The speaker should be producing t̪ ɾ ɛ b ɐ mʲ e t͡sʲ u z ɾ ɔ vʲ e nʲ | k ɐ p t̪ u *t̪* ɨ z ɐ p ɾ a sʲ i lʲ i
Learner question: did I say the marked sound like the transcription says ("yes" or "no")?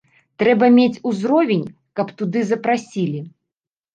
no